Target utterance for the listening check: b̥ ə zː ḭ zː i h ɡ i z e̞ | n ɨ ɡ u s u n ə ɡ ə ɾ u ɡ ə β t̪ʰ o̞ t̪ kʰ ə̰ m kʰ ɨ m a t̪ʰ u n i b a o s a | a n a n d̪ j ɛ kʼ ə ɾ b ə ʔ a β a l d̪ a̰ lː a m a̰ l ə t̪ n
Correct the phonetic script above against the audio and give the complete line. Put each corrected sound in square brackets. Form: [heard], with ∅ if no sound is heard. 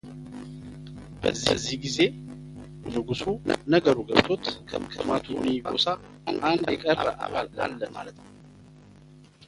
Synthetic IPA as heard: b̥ ə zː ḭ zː i h ɡ i z e̞ | n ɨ ɡ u s u n ə ɡ ə ɾ u ɡ ə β t̪ʰ o̞ t̪ kʰ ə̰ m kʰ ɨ m a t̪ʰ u n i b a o s a | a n a n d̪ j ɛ kʼ ə ɾ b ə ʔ a β a l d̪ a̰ lː [ə] m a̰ l ə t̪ n

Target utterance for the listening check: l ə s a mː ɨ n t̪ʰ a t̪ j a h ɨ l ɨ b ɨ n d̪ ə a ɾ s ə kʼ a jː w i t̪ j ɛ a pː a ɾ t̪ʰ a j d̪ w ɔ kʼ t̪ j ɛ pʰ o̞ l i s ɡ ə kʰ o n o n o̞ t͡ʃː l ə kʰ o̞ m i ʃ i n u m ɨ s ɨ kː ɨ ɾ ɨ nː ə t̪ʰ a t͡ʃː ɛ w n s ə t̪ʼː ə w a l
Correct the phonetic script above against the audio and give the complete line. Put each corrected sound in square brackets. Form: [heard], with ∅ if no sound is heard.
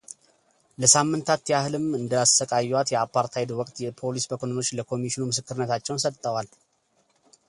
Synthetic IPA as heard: l ə s a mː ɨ n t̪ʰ a t̪ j a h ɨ l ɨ [m] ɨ n d̪ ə a [∅] s ə kʼ a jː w [a] t̪ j ɛ a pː a ɾ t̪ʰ a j d̪ w ɔ kʼ t̪ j ɛ pʰ o̞ l i s [b] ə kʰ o n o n o̞ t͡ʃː l ə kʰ o̞ m i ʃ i n u m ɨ s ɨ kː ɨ ɾ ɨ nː ə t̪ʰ a t͡ʃː ɛ w n s ə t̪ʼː ə w a l

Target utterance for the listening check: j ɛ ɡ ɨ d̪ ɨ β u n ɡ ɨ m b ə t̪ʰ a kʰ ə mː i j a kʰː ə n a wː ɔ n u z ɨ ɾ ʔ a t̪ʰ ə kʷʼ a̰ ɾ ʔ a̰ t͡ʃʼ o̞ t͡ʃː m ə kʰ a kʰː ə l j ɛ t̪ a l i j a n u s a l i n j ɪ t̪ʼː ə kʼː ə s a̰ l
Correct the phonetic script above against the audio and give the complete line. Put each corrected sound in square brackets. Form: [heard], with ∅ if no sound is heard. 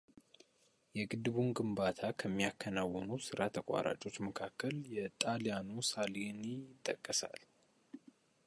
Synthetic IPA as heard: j ɛ ɡ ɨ d̪ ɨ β u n ɡ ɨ m b [a] t̪ʰ a kʰ ə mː i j a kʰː ə n a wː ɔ n u [s] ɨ ɾ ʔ a t̪ʰ ə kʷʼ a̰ ɾ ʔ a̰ t͡ʃʼ o̞ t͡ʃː m ə kʰ a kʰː ə l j ɛ [t̪ʼ] a l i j a n u s a l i n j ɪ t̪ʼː ə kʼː ə s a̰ l

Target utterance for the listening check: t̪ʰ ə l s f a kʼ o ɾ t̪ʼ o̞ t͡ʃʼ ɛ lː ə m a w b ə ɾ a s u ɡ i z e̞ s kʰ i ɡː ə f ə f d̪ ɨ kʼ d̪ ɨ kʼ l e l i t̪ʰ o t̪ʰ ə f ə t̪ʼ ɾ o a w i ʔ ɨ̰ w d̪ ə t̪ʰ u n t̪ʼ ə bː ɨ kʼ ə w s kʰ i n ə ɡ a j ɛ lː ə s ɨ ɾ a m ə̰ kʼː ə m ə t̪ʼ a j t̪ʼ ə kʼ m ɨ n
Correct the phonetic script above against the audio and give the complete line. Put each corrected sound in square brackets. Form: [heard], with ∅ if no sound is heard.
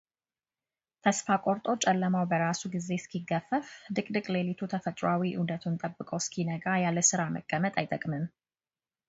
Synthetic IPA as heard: t̪ʰ ə [∅] s f a kʼ o ɾ t̪ʼ o̞ t͡ʃʼ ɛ lː ə m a w b ə ɾ a s u ɡ i z e̞ s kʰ i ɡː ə f ə f d̪ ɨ kʼ d̪ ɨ kʼ l e l i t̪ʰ [u] t̪ʰ ə f ə t̪ʼ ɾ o a w i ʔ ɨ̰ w d̪ ə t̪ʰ u n t̪ʼ ə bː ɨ kʼ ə w s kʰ i n ə ɡ a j [a] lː ə s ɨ ɾ a m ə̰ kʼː ə m ə t̪ʼ a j t̪ʼ ə kʼ m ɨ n

